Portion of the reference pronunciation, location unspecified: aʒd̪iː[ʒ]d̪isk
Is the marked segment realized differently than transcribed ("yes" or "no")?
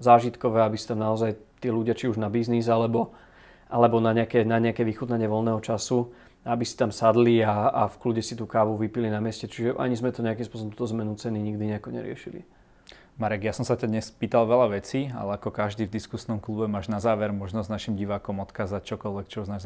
yes